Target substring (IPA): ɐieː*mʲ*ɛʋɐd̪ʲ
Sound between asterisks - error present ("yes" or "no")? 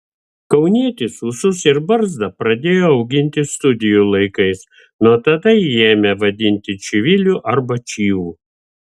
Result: no